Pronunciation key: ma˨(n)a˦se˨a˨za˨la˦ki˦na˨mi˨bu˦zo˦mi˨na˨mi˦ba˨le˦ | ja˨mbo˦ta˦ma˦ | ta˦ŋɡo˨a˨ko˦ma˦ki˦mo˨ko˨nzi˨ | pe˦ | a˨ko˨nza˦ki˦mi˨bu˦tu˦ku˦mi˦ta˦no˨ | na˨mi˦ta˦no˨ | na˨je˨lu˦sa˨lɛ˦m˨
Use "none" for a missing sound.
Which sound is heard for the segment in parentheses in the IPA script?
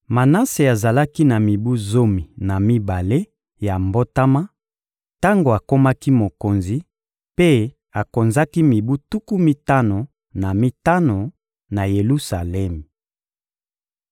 n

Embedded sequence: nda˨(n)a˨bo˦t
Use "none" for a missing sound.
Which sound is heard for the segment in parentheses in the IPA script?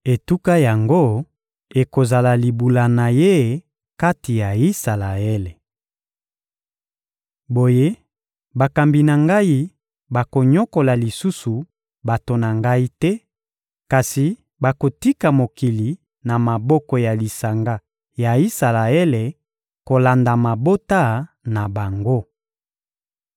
m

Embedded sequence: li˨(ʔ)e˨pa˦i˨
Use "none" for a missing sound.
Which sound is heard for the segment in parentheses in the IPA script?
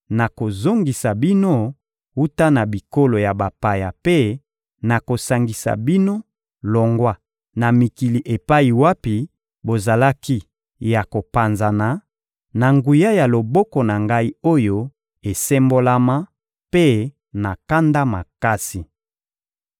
ʔ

